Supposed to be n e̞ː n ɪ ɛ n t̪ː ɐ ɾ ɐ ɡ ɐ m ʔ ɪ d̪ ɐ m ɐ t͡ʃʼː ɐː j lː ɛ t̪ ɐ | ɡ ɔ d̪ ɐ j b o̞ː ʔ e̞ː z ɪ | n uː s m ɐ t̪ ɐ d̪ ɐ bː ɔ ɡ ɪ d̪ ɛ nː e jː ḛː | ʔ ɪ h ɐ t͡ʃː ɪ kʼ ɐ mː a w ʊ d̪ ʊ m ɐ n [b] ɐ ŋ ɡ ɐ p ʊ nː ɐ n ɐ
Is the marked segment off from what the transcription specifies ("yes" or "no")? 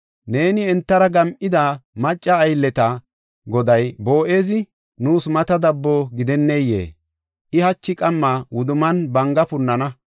no